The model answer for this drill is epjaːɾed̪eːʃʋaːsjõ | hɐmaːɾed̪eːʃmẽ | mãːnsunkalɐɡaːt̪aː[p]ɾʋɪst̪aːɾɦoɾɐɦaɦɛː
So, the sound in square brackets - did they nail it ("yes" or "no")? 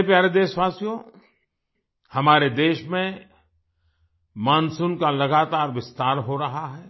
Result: no